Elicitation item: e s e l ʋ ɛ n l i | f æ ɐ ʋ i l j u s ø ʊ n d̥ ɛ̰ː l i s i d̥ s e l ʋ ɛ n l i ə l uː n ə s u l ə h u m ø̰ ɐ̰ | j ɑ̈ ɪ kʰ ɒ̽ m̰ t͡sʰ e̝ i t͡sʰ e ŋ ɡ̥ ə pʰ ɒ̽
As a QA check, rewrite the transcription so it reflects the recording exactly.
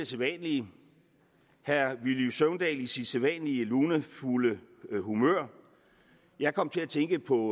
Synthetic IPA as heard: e s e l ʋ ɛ n l i | h æ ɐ ʋ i l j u s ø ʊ n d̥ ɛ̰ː l i s i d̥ s e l ʋ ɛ n l i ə l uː n ə f u l ə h u m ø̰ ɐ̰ | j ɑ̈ ɪ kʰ ɒ̽ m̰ t͡sʰ e̝ æ t͡sʰ e ŋ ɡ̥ ə pʰ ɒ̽

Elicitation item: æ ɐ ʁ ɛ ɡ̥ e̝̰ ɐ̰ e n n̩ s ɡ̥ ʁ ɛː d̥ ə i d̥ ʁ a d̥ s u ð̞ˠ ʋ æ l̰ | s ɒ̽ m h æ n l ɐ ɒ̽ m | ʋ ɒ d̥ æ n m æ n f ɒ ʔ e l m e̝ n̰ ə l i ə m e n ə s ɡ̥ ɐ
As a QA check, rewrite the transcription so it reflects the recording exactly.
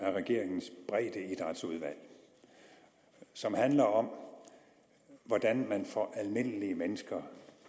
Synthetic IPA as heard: æ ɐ ʁ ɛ ɡ̥ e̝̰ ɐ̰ e ŋ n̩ s b̥ ʁ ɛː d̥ ə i d̥ ʁ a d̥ s u ð̞ˠ ʋ æ l̰ | s ɒ̽ m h æ n l ɐ ɒ̽ m | ʋ ɒ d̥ æ n m æ n f ɒ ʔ æ l m e̝ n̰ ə l i ə m e n ə s ɡ̥ ɐ

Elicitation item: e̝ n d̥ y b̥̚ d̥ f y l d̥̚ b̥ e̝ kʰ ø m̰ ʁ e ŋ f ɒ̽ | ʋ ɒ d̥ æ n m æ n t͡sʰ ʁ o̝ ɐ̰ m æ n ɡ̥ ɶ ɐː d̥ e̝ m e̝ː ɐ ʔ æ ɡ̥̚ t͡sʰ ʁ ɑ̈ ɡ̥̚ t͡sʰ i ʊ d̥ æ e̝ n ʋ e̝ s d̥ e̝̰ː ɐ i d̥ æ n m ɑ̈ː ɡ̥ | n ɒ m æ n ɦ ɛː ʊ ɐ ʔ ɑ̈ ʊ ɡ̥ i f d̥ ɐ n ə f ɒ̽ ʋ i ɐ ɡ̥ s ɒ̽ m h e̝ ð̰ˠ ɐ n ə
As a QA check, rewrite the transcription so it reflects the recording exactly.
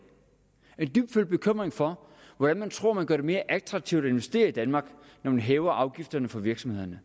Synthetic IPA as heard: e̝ n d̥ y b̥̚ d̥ f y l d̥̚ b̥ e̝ kʰ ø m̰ ʁ e ŋ f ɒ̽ | ʋ ɒ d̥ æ n m æ n t͡sʰ ʁ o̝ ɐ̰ m æ n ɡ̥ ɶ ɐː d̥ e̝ m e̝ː ɐ ʔ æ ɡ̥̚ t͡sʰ ʁ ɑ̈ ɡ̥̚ t͡sʰ i ʊ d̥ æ e̝ n ʋ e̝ s d̥ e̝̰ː ɐ i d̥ æ n m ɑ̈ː ɡ̥ | n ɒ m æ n ɦ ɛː ʊ ɐ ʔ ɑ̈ ʊ ɡ̥ i f d̥ ɐ n ə f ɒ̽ ʋ i ɐ ɡ̥ s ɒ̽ m h e̝ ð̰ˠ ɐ n ə

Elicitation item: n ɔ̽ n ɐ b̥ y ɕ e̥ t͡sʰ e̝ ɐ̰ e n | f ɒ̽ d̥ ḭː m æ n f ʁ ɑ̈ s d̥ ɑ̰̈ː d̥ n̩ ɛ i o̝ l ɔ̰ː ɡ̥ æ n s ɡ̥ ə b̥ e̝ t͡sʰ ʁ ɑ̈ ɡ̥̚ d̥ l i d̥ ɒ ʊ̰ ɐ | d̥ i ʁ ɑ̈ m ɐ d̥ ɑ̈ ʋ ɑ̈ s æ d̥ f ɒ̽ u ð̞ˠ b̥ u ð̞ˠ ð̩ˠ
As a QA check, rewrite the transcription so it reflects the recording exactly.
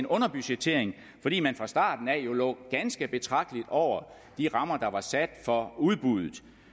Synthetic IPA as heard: n ɔ̽ n ɐ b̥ y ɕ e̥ t͡sʰ e̝ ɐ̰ e ŋ | f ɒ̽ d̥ ḭː m æ n f ʁ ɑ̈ s d̥ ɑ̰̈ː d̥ n̩ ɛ j o̝ l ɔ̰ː ɡ̥ æ n s ɡ̥ ə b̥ e̝ t͡sʰ ʁ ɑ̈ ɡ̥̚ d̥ l i d̥ ɒ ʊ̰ ɐ | d̥ i ʁ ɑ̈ m ɐ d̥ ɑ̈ ʋ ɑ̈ s æ d̥ f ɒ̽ u ð̞ˠ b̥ u ð̞ˠ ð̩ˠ

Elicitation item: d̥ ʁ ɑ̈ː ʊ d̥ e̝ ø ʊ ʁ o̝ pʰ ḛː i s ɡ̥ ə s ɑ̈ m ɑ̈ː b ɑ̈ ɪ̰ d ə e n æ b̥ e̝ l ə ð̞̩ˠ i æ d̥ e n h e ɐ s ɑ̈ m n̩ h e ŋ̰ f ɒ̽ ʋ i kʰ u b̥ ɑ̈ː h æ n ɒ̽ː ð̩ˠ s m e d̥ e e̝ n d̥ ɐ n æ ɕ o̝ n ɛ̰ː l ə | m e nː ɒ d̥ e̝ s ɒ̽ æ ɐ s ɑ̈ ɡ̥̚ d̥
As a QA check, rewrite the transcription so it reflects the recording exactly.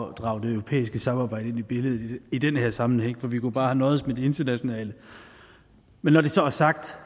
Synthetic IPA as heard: d̥ ʁ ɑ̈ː ʊ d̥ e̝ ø ʊ ʁ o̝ pʰ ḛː i s ɡ̥ ə s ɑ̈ m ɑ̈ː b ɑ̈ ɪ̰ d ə e n i b̥ e̝ l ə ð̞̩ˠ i i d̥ e n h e ɐ s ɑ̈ m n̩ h e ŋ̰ f ɒ̽ ʋ i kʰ u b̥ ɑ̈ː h æ n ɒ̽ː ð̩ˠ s m e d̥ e e̝ n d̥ ɐ n æ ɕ o̝ n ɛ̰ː l ə | m e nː ɒ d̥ e̝ s ɒ̽ æ ɐ s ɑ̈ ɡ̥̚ d̥

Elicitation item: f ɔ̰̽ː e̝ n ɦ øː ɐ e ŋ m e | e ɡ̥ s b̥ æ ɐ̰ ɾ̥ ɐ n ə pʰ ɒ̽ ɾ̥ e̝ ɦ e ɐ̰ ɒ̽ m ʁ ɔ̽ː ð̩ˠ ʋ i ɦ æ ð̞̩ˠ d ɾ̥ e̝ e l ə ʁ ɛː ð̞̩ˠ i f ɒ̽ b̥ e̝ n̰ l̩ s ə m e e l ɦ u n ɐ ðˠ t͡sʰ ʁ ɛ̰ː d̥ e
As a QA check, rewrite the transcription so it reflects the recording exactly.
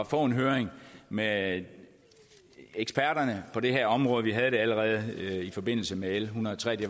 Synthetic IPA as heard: f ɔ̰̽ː e̝ n ɦ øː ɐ e ŋ m e | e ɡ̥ s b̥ æ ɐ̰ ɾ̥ ɐ n ə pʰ ɒ̽ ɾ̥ e̝ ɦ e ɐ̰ ɒ̽ m ʁ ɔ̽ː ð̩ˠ ʋ i ɦ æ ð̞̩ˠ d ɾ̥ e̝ æ l ə ʁ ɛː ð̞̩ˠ i f ɒ̽ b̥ e̝ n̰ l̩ s ə m e e l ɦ u n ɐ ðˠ t͡sʰ ʁ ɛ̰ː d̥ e

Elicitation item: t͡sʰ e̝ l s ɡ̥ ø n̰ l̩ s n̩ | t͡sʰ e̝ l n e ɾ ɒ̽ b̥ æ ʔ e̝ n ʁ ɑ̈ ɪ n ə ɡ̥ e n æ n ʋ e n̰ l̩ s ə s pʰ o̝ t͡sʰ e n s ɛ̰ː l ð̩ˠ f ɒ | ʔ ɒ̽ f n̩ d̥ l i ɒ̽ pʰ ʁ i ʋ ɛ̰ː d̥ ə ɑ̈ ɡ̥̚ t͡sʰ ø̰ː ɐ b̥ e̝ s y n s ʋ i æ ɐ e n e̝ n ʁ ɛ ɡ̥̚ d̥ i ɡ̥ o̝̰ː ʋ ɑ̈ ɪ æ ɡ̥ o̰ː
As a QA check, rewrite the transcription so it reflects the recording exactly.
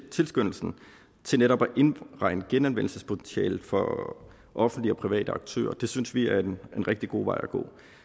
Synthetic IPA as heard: t͡sʰ e̝ l s ɡ̥ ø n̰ l̩ s n̩ | t͡sʰ e̝ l n e ɾ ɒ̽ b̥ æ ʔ e̝ n ʁ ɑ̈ ɪ n ə ɡ̥ e n æ n ʋ e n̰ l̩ s ə s pʰ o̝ t͡sʰ e n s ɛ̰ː l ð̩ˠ f ɒ | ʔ ɒ̽ f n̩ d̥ l i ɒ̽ pʰ ʁ i ʋ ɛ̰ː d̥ ə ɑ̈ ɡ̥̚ t͡sʰ ø̰ː ɐ d̥ e̝ s y n s ʋ i æ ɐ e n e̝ n ʁ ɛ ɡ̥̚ d̥ i ɡ̥ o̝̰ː ʋ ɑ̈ ɪ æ ɡ̥ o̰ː

